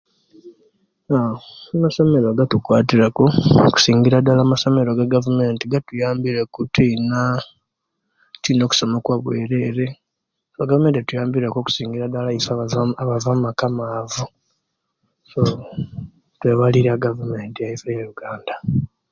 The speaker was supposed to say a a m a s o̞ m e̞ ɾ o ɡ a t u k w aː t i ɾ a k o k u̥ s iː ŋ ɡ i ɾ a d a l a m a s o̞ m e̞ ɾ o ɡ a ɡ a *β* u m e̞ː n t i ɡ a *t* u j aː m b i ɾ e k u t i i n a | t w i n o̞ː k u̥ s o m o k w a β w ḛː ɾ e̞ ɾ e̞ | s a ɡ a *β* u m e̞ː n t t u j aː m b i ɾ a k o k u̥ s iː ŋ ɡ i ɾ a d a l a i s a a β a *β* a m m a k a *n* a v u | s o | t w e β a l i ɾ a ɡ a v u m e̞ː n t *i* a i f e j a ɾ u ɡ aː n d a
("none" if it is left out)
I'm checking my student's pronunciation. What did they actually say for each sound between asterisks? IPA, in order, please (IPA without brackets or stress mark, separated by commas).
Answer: v, t, v, v, m, i